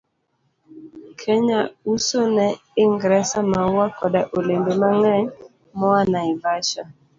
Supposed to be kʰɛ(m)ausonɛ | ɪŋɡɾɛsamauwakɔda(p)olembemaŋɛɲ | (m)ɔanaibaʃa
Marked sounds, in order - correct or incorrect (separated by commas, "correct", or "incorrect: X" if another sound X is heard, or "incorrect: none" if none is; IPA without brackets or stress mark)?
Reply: incorrect: ɲ, incorrect: ʔ, correct